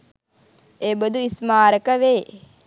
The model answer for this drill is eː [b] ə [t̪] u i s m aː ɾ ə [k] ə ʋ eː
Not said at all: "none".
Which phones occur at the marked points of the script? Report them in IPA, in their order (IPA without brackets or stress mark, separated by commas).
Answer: b, d̪, k